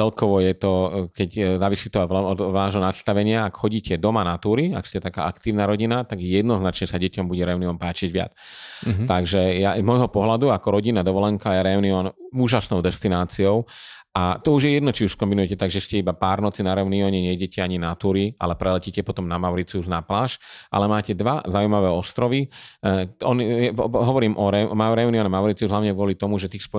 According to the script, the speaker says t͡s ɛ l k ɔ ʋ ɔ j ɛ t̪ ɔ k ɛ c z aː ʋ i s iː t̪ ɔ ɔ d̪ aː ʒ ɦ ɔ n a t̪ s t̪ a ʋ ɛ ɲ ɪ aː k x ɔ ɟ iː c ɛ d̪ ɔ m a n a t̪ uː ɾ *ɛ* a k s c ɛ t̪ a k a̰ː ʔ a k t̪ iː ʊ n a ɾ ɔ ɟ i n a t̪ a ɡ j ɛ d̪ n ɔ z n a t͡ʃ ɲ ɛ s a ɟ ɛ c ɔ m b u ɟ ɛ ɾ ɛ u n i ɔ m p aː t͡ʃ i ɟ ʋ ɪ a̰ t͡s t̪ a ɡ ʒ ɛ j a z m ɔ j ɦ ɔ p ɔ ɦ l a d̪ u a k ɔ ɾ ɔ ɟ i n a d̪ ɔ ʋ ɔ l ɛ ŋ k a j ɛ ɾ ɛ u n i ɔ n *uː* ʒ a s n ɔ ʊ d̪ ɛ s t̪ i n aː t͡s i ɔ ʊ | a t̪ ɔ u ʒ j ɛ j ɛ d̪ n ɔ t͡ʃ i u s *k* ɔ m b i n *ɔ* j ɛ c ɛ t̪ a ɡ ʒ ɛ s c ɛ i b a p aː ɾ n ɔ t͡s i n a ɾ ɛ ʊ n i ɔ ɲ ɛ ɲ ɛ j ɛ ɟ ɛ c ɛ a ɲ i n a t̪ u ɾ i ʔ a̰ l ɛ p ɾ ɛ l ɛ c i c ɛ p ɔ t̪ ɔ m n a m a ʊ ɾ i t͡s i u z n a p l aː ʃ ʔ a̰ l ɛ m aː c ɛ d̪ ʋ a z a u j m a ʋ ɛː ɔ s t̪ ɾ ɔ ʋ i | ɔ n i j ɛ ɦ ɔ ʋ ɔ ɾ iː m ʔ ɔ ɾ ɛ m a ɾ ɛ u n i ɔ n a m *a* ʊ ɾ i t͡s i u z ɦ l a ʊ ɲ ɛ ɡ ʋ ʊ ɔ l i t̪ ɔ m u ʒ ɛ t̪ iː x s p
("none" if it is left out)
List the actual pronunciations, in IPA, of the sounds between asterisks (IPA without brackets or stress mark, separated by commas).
i, uː, k, u, a